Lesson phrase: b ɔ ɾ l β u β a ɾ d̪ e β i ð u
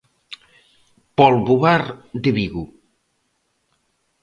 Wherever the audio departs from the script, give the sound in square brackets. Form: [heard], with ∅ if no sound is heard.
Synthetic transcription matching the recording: [p] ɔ [∅] l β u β a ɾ d̪ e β i [ɣ] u